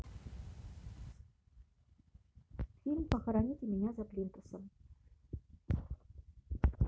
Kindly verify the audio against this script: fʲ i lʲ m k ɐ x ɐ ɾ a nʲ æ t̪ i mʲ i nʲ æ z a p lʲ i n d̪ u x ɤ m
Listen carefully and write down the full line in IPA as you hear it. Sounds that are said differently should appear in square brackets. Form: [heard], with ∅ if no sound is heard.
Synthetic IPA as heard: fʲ i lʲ m [p] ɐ x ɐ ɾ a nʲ [i] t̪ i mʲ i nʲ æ z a p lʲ i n [t̪] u [s] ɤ m